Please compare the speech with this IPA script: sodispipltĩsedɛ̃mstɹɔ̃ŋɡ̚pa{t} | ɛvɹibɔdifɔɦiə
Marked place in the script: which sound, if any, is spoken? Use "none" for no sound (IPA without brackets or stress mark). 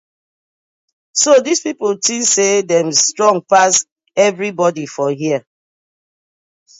s